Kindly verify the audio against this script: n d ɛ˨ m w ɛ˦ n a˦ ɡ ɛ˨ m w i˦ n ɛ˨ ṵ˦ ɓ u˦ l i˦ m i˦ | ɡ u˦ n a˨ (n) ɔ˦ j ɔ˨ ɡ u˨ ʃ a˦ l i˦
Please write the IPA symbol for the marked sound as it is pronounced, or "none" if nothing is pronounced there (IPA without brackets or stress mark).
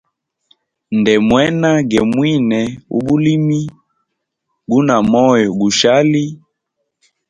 m